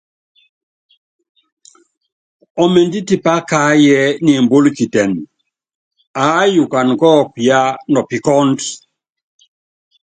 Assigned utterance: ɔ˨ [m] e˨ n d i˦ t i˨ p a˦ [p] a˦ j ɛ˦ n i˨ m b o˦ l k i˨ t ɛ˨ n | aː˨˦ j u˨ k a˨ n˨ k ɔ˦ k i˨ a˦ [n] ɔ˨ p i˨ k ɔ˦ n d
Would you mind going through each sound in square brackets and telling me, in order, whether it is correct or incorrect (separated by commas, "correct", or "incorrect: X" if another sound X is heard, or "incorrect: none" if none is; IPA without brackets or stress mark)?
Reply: correct, incorrect: k, correct